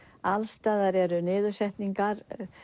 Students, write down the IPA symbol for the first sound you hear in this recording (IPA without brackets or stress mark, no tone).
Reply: a